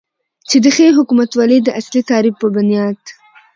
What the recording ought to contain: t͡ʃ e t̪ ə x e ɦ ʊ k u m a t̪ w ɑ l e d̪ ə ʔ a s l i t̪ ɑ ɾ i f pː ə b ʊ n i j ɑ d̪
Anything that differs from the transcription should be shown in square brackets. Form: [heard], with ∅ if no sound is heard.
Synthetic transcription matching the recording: t͡ʃ e [d̪] ə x e ɦ ʊ k u m a t̪ w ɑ l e d̪ ə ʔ a s l i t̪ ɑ ɾ i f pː ə b ʊ n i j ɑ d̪